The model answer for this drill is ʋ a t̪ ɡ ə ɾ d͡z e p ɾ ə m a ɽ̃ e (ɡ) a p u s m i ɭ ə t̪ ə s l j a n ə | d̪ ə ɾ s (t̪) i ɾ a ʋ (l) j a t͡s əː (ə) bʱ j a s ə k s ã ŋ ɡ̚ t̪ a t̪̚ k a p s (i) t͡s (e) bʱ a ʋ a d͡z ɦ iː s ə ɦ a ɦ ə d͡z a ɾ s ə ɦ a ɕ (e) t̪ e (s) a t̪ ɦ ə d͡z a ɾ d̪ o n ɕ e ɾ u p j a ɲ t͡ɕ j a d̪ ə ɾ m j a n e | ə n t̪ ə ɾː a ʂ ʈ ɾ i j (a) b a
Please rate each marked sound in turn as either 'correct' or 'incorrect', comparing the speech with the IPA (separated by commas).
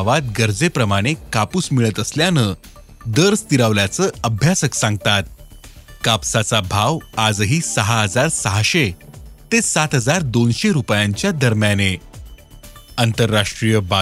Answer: incorrect, correct, correct, correct, incorrect, incorrect, correct, correct, incorrect